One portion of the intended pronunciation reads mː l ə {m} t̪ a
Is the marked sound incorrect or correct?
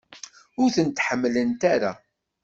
incorrect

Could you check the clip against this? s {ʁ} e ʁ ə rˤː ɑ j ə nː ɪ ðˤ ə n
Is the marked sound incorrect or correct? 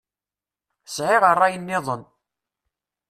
incorrect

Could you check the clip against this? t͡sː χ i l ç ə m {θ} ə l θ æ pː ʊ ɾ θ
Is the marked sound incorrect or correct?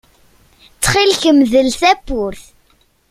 incorrect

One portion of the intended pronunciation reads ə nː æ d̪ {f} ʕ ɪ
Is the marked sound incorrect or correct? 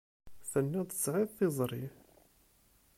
incorrect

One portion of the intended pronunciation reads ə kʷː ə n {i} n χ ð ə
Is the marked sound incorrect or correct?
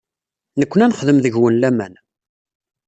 incorrect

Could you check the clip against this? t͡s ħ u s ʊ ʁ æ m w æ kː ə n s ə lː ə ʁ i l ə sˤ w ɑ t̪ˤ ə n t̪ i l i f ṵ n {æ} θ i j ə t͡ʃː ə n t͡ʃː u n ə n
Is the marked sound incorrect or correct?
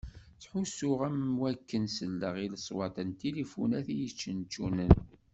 correct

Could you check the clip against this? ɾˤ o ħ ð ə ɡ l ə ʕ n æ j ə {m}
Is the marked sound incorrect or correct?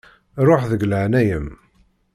correct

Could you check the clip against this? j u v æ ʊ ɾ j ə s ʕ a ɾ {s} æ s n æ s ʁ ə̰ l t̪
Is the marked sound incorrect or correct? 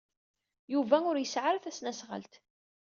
incorrect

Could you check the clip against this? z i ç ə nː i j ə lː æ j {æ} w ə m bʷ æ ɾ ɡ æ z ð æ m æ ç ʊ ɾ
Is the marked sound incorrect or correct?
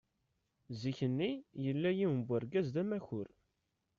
incorrect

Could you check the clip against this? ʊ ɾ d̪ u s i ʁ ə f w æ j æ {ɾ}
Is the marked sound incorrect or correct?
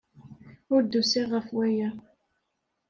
incorrect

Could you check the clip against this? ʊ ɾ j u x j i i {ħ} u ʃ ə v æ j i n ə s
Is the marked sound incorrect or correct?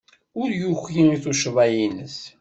incorrect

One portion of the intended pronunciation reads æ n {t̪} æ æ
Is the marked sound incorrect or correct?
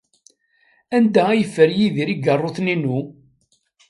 incorrect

